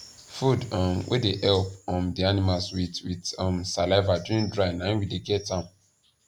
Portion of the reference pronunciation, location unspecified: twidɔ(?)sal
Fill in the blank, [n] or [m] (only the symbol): m